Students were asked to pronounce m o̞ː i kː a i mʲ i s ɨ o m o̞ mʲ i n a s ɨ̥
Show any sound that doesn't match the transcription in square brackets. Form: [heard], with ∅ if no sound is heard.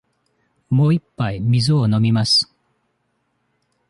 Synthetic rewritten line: m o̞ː i [pː] a i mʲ i [z] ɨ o [n] o̞ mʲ i [m] a s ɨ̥

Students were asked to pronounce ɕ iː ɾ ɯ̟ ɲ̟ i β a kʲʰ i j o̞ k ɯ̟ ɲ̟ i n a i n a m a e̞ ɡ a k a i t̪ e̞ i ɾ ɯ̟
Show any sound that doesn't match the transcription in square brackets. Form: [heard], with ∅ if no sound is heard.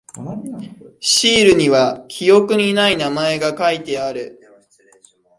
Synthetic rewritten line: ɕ iː ɾ ɯ̟ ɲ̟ i β a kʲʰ i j o̞ k ɯ̟ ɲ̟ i n a i n a m a e̞ ɡ a k a i t̪ e̞ [a] ɾ ɯ̟

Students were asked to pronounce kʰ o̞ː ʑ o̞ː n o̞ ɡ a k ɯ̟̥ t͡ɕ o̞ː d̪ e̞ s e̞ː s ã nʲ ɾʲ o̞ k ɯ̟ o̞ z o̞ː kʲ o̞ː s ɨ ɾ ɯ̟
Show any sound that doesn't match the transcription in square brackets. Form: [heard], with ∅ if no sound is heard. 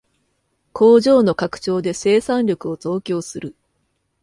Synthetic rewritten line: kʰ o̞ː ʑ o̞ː n o̞ [k] a k ɯ̟̥ t͡ɕ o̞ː d̪ e̞ s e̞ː s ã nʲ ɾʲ o̞ k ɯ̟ o̞ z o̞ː kʲ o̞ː s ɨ ɾ ɯ̟

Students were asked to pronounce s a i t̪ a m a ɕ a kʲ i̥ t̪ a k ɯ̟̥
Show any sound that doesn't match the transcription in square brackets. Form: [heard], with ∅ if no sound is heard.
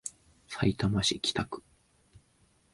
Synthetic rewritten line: s a i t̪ a m a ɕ [i] kʲ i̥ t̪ a k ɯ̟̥

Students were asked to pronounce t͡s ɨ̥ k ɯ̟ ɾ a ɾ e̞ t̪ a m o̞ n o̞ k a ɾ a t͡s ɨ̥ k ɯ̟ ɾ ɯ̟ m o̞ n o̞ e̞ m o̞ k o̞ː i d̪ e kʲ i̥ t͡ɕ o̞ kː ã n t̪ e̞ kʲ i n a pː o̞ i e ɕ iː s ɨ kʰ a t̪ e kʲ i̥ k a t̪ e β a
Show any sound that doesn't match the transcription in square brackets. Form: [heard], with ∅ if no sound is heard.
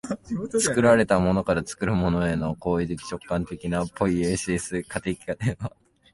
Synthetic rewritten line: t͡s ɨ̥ k ɯ̟ ɾ a ɾ e̞ t̪ a m o̞ n o̞ k a ɾ a t͡s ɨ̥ k ɯ̟ ɾ ɯ̟ m o̞ n o̞ e̞ [n] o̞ k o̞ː i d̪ e kʲ i̥ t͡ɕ o̞ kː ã n t̪ e̞ kʲ i n a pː o̞ i e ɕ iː s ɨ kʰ a t̪ e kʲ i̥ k a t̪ e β a

